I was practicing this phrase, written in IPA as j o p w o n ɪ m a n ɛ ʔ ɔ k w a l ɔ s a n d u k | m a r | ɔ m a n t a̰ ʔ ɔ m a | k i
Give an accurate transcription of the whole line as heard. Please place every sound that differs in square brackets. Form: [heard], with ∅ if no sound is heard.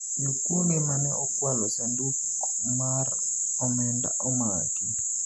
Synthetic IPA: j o [k] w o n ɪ m a n ɛ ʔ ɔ k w a l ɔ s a n d u k | m a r | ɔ m [ɛ] n [d] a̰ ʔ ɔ m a | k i